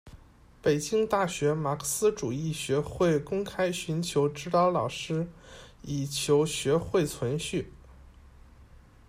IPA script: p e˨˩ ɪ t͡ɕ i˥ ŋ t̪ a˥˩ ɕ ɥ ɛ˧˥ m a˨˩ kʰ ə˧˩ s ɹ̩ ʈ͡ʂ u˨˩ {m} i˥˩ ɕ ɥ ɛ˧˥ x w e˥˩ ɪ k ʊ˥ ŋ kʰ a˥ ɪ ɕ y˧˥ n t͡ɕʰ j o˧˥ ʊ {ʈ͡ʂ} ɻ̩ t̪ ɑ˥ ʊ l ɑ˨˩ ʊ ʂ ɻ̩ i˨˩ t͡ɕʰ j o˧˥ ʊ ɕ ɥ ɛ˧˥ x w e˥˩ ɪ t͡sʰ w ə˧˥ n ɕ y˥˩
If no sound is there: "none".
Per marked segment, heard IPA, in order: none, ʈ͡ʂ

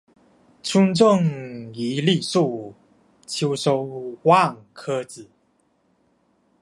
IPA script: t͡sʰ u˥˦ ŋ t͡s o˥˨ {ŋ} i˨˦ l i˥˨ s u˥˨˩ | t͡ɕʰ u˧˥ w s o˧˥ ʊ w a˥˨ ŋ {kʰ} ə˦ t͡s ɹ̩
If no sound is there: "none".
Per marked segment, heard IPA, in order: ŋ, kʰ

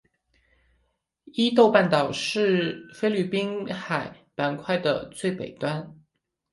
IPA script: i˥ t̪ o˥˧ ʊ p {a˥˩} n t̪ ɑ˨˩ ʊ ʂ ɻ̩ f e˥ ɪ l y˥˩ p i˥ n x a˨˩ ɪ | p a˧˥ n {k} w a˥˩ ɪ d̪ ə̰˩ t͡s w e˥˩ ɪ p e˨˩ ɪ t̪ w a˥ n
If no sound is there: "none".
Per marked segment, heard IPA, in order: a˥˩, kʰ

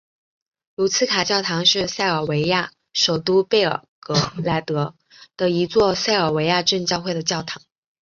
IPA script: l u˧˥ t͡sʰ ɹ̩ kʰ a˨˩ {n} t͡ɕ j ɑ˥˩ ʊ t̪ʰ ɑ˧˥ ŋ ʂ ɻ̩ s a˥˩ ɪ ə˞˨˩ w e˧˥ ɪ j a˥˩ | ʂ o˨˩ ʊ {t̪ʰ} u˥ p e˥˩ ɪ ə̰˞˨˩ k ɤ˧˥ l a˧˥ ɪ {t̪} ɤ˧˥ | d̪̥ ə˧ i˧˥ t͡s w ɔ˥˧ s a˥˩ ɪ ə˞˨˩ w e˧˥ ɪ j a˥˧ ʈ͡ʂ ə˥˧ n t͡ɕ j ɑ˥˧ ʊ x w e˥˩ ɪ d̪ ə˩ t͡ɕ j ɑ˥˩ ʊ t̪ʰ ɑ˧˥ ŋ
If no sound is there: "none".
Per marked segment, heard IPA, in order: none, t̪, t̪

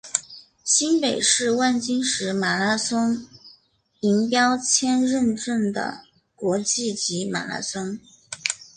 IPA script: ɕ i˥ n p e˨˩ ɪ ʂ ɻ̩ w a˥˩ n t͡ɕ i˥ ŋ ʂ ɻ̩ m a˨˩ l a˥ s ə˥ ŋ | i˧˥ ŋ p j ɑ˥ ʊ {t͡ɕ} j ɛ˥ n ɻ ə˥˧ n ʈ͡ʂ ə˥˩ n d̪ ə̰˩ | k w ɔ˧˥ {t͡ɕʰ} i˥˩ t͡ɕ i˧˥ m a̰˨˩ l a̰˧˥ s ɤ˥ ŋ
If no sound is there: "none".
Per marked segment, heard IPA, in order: t͡ɕʰ, t͡ɕ

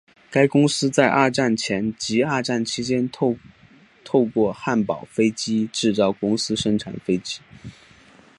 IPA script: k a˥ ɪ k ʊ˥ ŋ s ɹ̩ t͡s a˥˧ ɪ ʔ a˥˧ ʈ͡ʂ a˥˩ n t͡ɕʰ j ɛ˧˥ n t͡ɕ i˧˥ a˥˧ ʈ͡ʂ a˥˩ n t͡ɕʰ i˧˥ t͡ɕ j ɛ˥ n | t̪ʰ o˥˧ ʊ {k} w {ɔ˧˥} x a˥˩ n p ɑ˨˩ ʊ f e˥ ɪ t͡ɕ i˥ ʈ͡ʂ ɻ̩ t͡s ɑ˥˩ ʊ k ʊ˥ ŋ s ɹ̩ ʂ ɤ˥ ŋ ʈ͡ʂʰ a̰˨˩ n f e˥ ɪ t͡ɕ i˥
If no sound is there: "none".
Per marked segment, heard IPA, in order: k, ɔ˥˧

